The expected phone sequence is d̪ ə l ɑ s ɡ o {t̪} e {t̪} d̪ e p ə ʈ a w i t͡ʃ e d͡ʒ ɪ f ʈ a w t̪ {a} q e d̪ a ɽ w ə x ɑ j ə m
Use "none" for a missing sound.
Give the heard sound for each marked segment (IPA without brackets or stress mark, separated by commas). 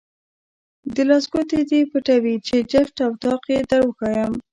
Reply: t̪, none, ɑ